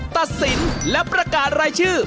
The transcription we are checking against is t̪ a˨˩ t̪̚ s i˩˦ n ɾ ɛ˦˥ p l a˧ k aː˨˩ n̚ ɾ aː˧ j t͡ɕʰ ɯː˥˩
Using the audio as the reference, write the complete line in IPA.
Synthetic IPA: t̪ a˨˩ t̪̚ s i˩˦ n l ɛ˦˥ p ɾ a˧ k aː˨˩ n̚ ɾ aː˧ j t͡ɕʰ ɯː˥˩